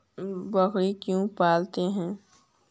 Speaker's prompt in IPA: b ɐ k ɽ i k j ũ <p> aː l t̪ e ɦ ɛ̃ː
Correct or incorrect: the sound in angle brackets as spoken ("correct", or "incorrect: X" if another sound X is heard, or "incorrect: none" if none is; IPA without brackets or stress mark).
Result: correct